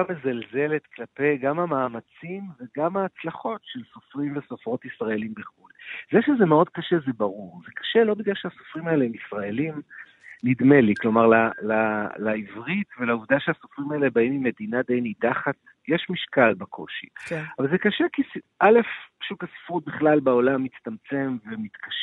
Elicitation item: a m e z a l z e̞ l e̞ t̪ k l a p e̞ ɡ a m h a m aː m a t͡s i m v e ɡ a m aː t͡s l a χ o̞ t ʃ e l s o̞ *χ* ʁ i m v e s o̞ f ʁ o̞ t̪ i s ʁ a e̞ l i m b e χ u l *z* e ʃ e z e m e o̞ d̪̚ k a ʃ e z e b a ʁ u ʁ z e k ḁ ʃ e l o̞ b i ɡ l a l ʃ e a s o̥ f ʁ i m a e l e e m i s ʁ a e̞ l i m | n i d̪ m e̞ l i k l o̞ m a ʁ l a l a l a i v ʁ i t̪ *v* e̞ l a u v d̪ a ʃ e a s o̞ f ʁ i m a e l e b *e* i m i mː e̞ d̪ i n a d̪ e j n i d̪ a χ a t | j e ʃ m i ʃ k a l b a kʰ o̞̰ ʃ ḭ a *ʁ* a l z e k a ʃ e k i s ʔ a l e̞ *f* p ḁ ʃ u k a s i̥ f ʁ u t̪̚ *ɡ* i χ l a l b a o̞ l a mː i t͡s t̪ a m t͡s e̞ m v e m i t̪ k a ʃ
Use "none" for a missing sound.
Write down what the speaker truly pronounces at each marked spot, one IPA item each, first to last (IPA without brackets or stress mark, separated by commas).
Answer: f, z, v, a, v, f, b